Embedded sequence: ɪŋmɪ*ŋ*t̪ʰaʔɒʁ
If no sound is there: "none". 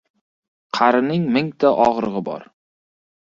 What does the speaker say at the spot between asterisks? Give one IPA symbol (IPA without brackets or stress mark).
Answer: ŋ